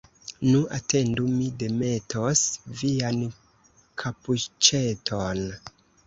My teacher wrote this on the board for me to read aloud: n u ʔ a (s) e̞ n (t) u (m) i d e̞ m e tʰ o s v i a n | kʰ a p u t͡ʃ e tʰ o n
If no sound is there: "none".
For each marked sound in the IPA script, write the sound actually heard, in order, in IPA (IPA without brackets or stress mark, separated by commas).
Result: t, d, m